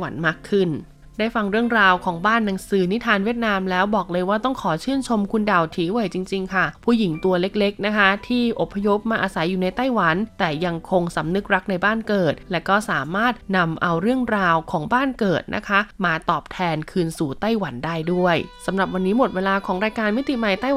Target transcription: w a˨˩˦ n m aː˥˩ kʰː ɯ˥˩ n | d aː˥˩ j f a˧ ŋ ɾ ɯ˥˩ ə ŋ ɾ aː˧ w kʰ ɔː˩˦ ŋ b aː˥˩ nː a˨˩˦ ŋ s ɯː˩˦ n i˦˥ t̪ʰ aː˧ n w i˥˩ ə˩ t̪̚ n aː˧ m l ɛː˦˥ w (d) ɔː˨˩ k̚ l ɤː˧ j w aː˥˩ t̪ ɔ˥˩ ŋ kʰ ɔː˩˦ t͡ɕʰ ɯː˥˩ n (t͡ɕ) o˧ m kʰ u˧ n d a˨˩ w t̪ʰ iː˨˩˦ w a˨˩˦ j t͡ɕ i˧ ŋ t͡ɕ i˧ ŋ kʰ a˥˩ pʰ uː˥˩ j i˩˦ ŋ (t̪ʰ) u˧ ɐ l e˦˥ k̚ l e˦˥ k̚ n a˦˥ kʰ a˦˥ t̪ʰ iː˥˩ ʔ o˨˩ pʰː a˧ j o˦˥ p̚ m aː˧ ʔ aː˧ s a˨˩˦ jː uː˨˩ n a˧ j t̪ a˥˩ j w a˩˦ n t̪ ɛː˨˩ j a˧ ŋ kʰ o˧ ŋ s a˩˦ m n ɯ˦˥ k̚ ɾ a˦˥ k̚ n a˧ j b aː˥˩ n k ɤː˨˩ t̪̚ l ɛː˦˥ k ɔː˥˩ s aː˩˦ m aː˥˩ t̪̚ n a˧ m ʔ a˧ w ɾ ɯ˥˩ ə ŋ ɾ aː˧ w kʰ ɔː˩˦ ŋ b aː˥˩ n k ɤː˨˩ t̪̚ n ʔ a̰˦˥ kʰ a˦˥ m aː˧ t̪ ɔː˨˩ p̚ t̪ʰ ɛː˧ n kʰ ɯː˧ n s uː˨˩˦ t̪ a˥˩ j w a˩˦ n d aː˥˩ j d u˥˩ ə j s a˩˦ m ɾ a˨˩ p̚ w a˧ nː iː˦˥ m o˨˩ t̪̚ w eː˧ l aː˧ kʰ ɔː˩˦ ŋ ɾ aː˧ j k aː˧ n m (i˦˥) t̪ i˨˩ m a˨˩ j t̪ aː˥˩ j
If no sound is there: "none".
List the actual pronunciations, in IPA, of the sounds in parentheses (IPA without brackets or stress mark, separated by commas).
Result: b, t͡ɕʰ, t̪, i˦˥